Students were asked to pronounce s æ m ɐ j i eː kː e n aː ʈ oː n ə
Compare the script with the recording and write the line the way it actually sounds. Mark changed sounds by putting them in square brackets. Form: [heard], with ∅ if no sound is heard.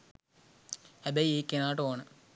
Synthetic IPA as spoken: [h] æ [b] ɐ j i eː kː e n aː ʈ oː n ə

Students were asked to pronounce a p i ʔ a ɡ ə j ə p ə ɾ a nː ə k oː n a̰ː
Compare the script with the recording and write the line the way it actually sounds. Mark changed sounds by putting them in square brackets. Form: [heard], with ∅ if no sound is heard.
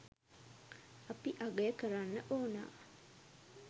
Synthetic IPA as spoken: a p i ʔ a ɡ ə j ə [k] ə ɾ a nː ə [ʔ] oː n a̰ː

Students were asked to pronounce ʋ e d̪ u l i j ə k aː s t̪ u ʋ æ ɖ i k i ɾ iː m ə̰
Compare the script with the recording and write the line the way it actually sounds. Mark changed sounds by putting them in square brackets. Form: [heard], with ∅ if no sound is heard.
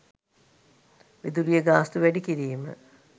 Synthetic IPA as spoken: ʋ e d̪ u l i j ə [ɡ] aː s t̪ u ʋ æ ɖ i k i ɾ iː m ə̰

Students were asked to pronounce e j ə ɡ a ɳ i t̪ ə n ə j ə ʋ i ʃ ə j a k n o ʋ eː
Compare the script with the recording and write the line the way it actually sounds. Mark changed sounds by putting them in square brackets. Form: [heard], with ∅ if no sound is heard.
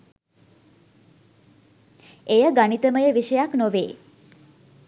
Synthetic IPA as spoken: e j ə ɡ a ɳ i t̪ ə [m] ə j ə ʋ i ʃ ə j a k n o ʋ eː

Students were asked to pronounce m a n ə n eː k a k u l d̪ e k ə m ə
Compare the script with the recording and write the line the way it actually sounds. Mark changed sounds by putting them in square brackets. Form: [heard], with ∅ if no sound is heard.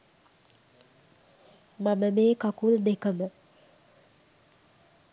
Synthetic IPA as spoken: m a [m] ə [m] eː k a k u l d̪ e k ə m ə

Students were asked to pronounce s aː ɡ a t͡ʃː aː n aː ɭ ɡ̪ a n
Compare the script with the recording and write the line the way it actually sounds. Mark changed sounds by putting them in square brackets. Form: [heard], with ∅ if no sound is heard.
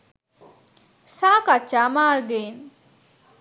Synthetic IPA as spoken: s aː [k] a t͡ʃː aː [m] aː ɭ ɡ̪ [e] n

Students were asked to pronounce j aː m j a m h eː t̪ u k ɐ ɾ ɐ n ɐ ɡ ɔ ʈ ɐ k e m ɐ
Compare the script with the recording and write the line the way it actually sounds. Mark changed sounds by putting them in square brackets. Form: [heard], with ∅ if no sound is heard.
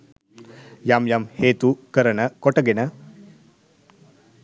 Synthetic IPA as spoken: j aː m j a m h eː t̪ u k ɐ ɾ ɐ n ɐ [k] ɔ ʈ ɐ [ɡ] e [n] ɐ

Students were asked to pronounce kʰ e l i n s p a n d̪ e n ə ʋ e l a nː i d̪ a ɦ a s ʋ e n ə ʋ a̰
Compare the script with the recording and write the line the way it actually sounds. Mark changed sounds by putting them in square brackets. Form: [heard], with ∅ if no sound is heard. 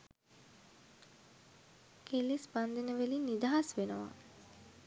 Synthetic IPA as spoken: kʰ e l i [∅] s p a n d̪ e n ə ʋ e l [i] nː i d̪ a ɦ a s ʋ e n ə ʋ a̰

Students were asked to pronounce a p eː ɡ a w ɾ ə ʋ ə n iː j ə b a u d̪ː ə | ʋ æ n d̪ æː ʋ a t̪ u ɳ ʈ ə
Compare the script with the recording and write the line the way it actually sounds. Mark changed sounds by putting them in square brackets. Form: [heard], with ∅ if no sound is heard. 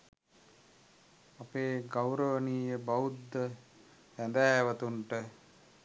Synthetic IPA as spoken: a p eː ɡ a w ɾ ə ʋ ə n iː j ə b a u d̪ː ə | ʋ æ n d̪ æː ʋ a t̪ u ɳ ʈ ə

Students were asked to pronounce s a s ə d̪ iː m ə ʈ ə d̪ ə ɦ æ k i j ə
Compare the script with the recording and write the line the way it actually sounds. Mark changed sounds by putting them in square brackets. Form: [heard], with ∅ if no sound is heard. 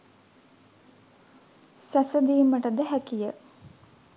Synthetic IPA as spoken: s [æ] s ə d̪ iː m ə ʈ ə d̪ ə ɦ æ k i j ə

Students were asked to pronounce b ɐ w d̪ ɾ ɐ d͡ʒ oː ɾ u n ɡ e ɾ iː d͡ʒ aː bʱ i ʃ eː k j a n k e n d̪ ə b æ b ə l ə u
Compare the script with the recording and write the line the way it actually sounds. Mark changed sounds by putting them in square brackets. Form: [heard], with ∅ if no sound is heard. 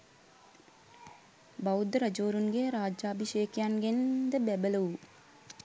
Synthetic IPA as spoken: b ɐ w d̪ ɾ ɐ d͡ʒ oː ɾ u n ɡ e ɾ [aː] d͡ʒ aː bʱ i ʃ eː k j a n [ɡ] e n d̪ ə b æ b ə l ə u

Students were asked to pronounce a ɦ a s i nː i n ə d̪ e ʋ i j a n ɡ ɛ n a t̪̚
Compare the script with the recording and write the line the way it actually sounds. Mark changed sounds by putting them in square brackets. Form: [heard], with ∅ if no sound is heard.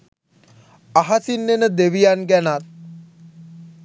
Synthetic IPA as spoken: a ɦ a s i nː [e] n ə d̪ e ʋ i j a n ɡ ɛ n a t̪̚

